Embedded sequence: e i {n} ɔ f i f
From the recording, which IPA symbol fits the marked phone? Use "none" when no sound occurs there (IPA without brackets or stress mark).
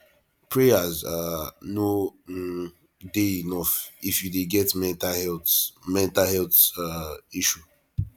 n